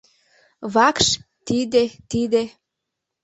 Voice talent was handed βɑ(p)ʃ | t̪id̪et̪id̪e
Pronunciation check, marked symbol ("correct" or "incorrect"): incorrect